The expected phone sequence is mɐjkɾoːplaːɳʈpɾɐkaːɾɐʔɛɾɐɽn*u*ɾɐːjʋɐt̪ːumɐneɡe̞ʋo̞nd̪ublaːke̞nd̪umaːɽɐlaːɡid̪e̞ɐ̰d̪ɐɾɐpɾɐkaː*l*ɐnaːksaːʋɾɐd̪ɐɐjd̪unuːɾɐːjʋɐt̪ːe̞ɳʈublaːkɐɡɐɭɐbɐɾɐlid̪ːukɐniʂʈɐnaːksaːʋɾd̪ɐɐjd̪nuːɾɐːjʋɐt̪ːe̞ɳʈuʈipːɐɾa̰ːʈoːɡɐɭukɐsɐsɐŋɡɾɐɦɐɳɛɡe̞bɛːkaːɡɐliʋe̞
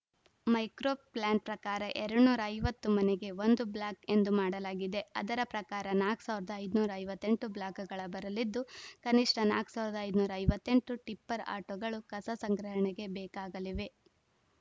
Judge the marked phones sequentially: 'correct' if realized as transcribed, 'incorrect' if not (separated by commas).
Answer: incorrect, incorrect